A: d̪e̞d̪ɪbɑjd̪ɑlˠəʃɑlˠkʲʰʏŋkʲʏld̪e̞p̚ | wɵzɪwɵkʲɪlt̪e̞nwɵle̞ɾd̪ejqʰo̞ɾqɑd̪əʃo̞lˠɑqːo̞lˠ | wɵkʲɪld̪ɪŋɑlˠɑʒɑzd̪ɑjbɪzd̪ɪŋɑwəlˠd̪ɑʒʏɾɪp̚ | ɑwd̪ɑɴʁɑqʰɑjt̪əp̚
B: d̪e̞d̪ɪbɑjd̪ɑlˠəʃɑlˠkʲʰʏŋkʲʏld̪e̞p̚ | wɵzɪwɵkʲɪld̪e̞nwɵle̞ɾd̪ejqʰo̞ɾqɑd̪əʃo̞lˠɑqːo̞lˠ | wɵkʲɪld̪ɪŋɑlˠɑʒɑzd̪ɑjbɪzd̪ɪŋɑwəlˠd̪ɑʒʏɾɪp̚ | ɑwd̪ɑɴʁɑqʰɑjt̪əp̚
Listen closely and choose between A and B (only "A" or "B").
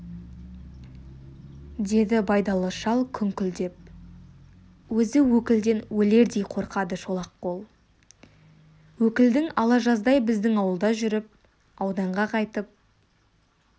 B